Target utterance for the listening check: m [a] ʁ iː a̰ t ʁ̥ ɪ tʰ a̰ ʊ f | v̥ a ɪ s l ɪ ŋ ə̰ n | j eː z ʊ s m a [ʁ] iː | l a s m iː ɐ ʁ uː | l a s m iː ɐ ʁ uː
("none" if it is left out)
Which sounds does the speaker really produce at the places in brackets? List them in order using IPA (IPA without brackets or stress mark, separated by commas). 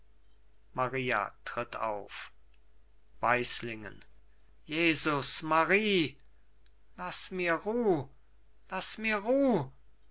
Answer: a, ʁ